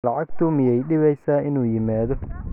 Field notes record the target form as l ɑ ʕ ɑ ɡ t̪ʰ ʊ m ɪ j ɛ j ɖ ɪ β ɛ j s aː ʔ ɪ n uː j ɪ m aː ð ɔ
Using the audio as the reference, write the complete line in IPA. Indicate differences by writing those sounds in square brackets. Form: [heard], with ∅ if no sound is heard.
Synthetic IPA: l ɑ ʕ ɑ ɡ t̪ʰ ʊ m ɪ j ɛ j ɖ ɪ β ɛ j s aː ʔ ɪ n uː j ɪ m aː ð ɔ

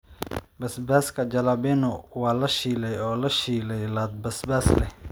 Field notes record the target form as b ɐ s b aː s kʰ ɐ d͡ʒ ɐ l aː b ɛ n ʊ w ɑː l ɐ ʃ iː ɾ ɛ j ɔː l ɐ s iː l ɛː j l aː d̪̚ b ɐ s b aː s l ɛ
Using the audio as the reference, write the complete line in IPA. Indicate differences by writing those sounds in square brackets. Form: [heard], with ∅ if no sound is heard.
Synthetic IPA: b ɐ s b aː s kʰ ɐ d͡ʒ ɐ l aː b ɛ n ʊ w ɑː l ɐ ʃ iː [l] ɛ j ɔː l ɐ [ʃ] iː l [ɛ] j l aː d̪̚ b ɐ s b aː s l ɛ

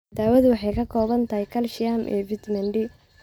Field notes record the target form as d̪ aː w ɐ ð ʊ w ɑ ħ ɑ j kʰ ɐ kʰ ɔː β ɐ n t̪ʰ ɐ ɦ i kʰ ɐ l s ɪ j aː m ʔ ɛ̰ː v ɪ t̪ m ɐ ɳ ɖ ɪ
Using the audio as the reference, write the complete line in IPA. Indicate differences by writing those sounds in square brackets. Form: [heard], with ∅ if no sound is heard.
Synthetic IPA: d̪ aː w ɐ ð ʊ w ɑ ħ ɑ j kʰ ɐ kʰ ɔː β ɐ n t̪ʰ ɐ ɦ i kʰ ɐ l [ʃ] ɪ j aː m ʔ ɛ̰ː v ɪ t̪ m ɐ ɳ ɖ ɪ

